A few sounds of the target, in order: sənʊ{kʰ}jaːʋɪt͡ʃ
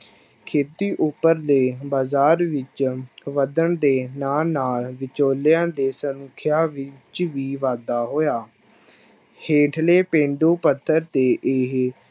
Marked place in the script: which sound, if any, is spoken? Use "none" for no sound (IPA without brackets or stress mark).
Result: kʰ